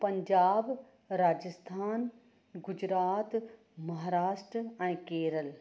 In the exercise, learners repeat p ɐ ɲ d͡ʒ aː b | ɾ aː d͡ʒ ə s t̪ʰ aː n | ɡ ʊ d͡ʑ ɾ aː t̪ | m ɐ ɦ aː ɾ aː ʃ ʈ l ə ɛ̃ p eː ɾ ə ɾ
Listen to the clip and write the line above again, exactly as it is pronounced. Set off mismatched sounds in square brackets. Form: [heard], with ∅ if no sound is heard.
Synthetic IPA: p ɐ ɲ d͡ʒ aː b | ɾ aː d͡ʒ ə s t̪ʰ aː n | ɡ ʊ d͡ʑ ɾ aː t̪ | m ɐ ɦ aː ɾ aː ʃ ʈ [ɾ] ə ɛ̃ [k] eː ɾ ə [l]